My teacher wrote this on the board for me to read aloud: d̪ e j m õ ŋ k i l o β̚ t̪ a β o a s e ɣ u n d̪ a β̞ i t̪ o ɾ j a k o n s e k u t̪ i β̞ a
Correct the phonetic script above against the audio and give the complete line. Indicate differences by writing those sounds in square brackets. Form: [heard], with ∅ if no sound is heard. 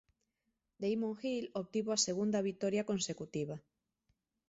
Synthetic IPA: d̪ e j m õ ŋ [x] i l o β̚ t̪ [i] β o a s e ɣ u n d̪ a β̞ i t̪ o ɾ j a k o n s e k u t̪ i β̞ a

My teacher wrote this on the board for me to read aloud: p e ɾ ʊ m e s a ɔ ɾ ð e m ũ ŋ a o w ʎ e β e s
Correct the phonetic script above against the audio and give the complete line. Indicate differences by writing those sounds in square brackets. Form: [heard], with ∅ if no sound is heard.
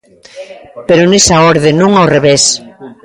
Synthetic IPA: p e ɾ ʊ [n] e s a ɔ ɾ ð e [n] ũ ŋ a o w [r] e β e s

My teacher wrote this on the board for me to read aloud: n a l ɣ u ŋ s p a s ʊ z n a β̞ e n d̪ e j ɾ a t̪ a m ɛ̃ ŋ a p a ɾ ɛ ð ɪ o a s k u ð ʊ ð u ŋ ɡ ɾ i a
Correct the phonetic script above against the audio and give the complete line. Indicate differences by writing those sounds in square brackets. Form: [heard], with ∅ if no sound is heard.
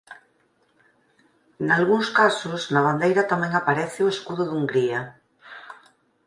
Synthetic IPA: n a l ɣ u ŋ s [k] a s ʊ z n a β̞ [a] n d̪ e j ɾ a t̪ a m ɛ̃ ŋ a p a ɾ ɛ [θ] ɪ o [e] s k u ð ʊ ð u ŋ ɡ ɾ i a

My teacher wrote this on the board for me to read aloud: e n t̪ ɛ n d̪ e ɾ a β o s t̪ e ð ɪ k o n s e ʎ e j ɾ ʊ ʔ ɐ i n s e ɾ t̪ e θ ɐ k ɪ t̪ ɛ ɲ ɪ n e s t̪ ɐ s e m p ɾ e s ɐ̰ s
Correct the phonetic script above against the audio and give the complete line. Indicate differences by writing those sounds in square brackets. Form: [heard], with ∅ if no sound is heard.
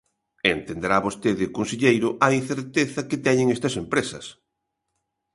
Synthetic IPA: e n t̪ [e] n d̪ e ɾ a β o s t̪ e ð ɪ k o n s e ʎ e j ɾ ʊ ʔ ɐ i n [θ] e ɾ t̪ e θ ɐ k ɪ t̪ ɛ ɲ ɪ [ŋ] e s t̪ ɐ s e m p ɾ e s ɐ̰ s

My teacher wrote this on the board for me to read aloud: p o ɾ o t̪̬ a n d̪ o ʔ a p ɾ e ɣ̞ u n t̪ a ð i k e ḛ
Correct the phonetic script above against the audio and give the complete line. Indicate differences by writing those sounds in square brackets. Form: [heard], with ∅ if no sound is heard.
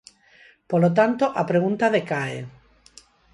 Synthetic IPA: p o [l] o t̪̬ a n [t̪] o ʔ a p ɾ e ɣ̞ u n t̪ a ð [e] k [a] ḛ

